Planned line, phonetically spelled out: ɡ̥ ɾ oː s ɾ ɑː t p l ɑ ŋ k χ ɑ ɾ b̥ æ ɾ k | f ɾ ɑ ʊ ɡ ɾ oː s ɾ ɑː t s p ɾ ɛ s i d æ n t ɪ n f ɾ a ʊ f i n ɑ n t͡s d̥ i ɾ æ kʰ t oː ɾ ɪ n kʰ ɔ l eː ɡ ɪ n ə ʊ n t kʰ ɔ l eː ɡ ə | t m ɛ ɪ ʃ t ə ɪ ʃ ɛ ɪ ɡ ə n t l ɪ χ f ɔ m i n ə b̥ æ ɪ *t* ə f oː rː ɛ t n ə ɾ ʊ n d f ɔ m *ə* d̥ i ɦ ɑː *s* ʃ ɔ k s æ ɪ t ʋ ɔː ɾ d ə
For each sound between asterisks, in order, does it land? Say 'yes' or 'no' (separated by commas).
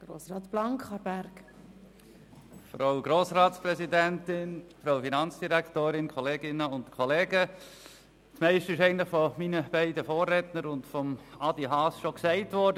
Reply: no, no, yes